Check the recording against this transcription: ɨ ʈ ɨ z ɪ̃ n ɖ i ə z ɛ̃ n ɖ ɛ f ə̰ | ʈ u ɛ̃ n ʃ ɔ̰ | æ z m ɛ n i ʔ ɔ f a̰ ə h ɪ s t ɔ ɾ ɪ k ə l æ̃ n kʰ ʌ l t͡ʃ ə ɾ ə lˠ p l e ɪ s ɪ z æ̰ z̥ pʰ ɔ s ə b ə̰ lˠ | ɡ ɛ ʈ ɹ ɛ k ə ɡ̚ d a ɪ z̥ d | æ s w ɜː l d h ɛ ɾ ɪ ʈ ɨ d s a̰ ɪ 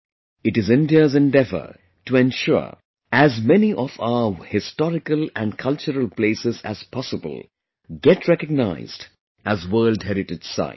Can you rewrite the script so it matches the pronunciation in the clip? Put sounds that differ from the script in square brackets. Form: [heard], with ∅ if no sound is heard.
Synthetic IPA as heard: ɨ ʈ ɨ z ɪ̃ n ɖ i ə z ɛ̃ n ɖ ɛ [v] ə̰ | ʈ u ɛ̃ n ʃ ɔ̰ | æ z m ɛ n i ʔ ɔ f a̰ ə h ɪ s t ɔ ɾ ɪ k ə l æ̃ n kʰ ʌ l t͡ʃ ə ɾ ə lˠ p l e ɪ s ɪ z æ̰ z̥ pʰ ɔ s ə b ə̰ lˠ | ɡ ɛ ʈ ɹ ɛ k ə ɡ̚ [n] a ɪ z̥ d | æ [z] w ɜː l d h ɛ ɾ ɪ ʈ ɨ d s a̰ ɪ

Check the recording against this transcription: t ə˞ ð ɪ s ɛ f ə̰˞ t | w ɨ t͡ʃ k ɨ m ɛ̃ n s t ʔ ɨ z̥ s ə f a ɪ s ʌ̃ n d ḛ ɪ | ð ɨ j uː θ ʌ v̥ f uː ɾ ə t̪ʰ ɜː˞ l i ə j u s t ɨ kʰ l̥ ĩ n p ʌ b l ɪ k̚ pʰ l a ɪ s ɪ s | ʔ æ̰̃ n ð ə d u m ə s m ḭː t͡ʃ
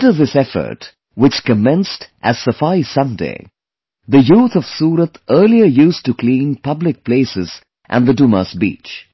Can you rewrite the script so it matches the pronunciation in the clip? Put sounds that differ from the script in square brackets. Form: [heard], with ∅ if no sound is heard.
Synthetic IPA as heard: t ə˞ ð ɪ s ɛ f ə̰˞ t | w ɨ t͡ʃ k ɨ m ɛ̃ n s t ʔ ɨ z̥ s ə f a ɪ s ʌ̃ n d ḛ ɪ | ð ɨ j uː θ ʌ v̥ [s] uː ɾ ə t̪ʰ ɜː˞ l i ə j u s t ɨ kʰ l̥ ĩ n p ʌ b l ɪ k̚ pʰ l [e] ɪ s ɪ [z] | ʔ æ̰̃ n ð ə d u m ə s [b] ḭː t͡ʃ

